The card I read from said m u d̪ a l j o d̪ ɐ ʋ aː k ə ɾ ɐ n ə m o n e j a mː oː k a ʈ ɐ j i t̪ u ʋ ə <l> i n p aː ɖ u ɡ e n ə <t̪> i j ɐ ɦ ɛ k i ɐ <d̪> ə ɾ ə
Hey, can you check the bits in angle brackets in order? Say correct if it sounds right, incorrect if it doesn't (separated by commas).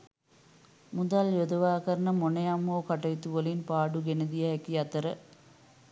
correct, incorrect, incorrect